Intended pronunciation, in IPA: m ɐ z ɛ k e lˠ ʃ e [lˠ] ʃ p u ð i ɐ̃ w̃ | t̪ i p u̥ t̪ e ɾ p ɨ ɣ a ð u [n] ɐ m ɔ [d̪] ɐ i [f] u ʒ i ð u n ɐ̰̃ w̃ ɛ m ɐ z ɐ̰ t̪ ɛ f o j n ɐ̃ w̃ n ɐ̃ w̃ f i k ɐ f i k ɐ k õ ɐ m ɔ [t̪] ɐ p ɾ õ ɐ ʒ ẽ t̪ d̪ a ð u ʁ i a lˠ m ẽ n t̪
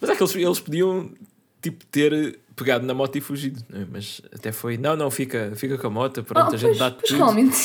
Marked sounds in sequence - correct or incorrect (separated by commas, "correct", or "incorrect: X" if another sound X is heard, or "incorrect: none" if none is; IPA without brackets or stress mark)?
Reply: correct, correct, incorrect: t̪, correct, correct